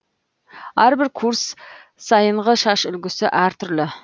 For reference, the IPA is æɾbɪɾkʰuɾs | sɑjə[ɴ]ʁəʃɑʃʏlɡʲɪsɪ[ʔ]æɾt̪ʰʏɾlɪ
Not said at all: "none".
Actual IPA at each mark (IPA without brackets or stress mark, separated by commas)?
ɴ, ʔ